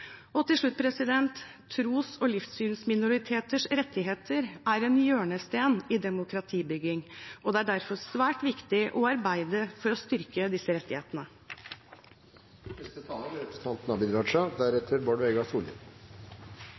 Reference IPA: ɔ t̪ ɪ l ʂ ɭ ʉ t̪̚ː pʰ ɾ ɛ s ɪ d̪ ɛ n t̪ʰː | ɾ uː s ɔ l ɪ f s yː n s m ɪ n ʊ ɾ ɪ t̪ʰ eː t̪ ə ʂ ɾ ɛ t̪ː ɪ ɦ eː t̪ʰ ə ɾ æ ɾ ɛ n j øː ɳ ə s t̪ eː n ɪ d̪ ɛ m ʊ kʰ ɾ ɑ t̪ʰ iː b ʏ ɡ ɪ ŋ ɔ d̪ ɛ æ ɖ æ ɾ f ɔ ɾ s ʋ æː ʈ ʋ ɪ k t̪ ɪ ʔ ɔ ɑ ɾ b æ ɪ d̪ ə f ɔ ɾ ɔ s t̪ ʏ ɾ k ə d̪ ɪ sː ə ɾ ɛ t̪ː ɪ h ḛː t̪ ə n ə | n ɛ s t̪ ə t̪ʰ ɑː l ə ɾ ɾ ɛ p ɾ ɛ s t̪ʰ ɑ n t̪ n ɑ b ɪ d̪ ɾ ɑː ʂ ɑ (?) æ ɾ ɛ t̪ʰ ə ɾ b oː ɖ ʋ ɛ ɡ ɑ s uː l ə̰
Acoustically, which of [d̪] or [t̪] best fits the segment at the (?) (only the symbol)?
d̪